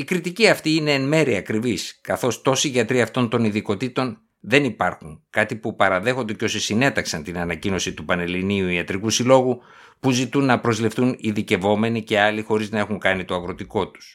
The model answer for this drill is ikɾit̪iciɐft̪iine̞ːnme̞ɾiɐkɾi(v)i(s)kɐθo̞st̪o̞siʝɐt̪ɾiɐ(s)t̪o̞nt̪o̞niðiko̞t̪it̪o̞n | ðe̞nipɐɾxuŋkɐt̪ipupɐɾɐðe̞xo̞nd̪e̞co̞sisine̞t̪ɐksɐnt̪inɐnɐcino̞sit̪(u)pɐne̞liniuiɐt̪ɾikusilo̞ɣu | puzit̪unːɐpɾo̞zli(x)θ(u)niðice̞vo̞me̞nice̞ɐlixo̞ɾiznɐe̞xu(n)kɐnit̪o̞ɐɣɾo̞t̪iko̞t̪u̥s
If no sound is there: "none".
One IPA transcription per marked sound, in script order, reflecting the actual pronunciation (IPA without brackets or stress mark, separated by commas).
v, s, f, u, f, u, ŋ